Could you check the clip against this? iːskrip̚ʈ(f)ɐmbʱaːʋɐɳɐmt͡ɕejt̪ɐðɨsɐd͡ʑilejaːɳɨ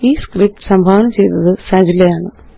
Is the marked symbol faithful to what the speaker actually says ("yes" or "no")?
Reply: no